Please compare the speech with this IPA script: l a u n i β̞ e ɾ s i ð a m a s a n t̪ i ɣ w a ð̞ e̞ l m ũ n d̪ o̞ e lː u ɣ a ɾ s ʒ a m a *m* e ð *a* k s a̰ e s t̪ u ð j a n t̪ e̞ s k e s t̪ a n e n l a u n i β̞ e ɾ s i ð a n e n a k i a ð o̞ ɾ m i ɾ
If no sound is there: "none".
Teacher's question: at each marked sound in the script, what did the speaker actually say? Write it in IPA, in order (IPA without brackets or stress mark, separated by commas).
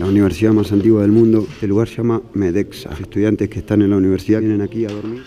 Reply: m, e